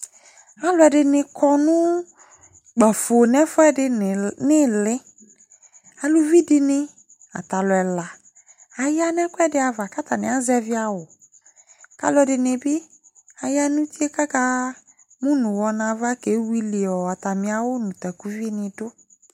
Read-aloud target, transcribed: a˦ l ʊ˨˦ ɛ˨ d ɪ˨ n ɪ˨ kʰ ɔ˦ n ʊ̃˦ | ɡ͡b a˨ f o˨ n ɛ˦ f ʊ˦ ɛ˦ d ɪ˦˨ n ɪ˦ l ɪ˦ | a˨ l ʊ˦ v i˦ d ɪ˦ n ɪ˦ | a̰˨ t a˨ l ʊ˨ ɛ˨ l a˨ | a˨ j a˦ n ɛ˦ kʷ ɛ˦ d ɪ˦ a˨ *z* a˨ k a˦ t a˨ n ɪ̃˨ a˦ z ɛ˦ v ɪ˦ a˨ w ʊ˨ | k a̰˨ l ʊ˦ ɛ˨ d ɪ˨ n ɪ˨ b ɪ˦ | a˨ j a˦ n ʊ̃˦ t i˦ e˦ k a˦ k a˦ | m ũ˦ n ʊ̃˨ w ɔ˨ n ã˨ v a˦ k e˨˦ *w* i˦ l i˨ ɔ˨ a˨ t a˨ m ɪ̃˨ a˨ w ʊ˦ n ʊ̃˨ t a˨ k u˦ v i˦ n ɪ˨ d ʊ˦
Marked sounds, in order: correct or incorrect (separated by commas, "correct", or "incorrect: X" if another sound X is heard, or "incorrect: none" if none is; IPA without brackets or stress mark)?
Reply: incorrect: v, correct